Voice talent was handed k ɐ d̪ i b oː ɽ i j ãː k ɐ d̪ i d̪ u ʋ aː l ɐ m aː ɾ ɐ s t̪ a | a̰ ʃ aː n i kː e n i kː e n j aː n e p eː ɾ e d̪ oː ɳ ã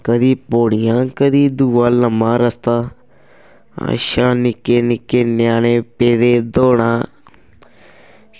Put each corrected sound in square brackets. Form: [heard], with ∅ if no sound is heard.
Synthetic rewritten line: k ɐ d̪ i [p] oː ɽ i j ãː k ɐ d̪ i d̪ u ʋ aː l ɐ m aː ɾ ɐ s t̪ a | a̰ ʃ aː n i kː e n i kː e n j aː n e p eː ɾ e d̪ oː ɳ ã